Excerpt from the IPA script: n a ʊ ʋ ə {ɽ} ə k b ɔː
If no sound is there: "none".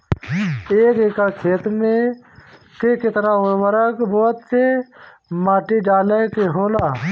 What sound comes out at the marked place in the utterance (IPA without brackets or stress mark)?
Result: ɾ